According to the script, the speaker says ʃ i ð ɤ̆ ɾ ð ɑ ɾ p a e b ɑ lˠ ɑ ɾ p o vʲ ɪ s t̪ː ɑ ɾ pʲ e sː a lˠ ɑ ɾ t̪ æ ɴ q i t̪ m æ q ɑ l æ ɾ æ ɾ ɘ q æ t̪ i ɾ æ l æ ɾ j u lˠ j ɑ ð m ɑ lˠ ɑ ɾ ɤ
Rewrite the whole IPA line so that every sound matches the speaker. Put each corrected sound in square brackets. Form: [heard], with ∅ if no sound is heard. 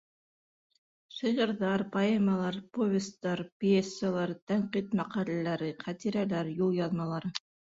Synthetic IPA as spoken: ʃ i [ʁ] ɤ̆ ɾ ð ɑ ɾ p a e [m] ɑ lˠ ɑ ɾ p o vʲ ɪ s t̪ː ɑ ɾ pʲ e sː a lˠ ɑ ɾ t̪ æ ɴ q i t̪ m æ q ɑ l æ [l] æ ɾ ɘ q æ t̪ i ɾ æ l æ ɾ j u lˠ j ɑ ð m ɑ lˠ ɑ ɾ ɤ

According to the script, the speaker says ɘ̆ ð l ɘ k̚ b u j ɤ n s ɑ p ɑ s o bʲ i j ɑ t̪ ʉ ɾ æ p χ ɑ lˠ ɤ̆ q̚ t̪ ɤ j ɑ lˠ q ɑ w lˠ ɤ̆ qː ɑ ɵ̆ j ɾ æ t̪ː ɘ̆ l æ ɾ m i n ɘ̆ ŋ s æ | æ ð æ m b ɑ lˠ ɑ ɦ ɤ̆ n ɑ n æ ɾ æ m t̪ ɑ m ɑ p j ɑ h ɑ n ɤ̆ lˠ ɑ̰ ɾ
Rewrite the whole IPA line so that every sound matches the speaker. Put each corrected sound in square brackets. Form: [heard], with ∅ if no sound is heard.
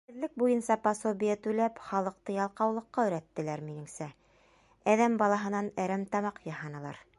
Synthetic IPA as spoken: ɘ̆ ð l ɘ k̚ b u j ɤ n s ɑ p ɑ s o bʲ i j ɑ t̪ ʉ [l] æ p χ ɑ lˠ ɤ̆ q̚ t̪ ɤ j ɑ lˠ q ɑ w lˠ ɤ̆ qː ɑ ɵ̆ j ɾ æ t̪ː ɘ̆ l æ ɾ m i n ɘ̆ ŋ s æ | æ ð æ m b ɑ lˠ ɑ ɦ ɤ̆ n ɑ n æ ɾ æ m t̪ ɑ m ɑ [q] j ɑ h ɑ n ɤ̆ lˠ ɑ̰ ɾ

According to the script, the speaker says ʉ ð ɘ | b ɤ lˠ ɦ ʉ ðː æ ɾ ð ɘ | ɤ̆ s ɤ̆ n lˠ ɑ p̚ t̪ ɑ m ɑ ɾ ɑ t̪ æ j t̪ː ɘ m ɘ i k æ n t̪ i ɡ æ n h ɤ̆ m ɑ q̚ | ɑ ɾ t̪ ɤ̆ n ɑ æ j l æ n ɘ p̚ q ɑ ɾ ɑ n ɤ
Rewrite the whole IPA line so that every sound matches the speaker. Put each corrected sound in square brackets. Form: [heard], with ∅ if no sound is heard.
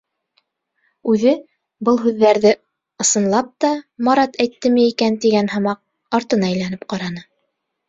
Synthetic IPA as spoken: ʉ ð ɘ | b ɤ lˠ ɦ ʉ ðː æ ɾ ð ɘ | ɤ̆ s ɤ̆ n lˠ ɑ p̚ t̪ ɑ m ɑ ɾ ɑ t̪ æ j t̪ː ɘ m ɘ i k æ n t̪ i ɡ æ n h ɤ̆ m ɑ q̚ | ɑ ɾ t̪ ɤ̆ n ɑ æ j l æ n ɘ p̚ q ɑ ɾ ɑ n ɤ

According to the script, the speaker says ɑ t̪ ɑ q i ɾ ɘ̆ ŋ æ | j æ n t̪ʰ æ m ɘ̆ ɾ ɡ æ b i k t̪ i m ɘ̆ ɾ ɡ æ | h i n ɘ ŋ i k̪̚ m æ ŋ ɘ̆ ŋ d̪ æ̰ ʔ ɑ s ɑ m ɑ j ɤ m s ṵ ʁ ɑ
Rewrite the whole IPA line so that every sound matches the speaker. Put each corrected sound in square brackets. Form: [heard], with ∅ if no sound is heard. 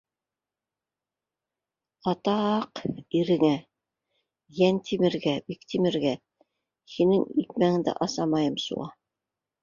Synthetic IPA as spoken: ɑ t̪ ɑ q i ɾ ɘ̆ ŋ æ | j æ n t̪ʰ [i] m ɘ̆ ɾ ɡ æ b i k t̪ i m ɘ̆ ɾ ɡ æ | h i n ɘ ŋ i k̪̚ m æ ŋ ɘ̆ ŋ d̪ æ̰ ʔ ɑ s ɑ m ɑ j ɤ m s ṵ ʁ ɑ

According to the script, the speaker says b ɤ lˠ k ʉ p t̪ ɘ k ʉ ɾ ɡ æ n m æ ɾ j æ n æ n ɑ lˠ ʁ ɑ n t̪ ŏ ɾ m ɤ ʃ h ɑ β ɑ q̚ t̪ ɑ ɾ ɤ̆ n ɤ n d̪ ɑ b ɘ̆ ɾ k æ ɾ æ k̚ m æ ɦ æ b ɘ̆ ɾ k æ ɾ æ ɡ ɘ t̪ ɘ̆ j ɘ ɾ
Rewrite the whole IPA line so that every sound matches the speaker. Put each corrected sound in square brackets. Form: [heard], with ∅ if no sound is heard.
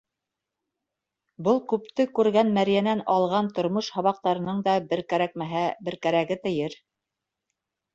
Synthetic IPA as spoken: b ɤ lˠ k ʉ p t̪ ɘ k ʉ ɾ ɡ æ n m æ ɾ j æ n æ n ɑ lˠ ʁ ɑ n t̪ ŏ ɾ m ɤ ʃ h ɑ β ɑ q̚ t̪ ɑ ɾ ɤ̆ n ɤ [ɴ] d̪ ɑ b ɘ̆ ɾ k æ ɾ æ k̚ m æ ɦ æ b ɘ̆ ɾ k æ ɾ æ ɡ ɘ t̪ ɘ̆ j ɘ ɾ

